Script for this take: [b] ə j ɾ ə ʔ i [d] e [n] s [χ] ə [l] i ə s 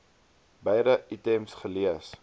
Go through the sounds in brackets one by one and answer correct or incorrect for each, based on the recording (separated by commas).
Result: correct, incorrect, incorrect, correct, correct